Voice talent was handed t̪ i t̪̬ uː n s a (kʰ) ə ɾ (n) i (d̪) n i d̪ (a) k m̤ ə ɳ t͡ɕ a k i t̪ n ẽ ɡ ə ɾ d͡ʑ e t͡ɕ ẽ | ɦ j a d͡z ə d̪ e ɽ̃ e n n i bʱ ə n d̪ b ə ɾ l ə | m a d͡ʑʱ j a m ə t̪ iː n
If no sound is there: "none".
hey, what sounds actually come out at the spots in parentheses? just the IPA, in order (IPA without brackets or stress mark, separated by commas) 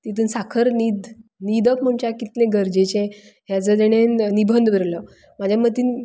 kʰ, n, d̪, ə